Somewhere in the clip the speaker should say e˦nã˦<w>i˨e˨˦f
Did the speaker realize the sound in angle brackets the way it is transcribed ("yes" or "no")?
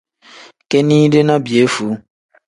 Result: no